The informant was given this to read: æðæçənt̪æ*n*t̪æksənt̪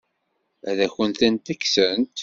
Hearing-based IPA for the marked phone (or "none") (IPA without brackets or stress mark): n